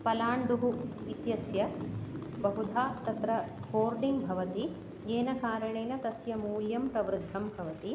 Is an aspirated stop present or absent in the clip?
absent